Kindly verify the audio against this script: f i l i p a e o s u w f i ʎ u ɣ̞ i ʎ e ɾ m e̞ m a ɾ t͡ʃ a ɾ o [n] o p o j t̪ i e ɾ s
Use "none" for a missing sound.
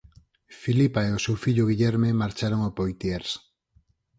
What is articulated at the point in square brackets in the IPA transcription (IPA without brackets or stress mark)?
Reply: ŋ